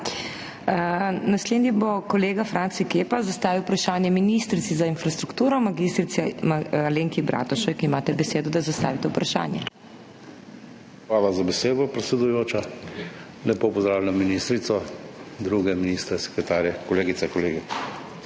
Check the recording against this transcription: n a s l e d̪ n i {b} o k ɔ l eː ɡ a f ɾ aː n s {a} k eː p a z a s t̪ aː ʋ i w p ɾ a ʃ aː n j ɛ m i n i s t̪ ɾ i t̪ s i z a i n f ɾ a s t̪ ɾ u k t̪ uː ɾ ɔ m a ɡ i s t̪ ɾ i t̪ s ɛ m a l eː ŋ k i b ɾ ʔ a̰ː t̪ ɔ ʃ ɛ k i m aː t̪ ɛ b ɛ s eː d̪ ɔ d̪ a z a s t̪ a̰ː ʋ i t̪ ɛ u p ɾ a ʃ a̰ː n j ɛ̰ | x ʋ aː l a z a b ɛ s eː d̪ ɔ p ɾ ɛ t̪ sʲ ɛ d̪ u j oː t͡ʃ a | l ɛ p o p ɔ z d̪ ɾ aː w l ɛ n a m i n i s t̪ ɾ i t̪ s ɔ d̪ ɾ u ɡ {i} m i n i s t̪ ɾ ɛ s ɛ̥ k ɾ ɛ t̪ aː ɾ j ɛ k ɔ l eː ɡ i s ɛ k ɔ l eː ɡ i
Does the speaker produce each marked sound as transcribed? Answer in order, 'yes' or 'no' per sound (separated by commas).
yes, no, no